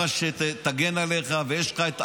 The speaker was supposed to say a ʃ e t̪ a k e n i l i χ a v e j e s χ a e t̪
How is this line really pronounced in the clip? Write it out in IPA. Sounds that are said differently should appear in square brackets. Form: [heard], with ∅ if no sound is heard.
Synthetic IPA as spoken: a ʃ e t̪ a [ɡ] e n [a] l [e] χ a v e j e [ʃ] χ a e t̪